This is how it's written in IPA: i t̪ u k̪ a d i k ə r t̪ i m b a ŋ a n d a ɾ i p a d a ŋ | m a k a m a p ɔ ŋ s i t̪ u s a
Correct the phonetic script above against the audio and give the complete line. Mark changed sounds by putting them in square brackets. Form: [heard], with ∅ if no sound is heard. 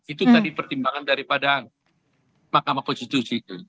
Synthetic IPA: i t̪ u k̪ a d i [p] ə r t̪ i m b a ŋ a n d a ɾ i p a d a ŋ | m a k a m a [k] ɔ [n] s i t̪ u s [i]